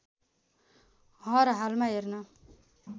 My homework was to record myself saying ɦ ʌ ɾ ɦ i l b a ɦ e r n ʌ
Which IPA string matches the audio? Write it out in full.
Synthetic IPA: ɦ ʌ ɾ ɦ a l m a ɦ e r n ʌ